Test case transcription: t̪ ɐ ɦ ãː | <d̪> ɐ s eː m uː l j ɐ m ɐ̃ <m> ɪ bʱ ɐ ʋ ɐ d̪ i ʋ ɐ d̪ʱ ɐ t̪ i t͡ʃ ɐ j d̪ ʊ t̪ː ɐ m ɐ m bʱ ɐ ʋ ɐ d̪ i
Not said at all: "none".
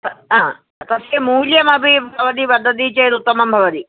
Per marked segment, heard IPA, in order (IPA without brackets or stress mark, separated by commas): t̪, b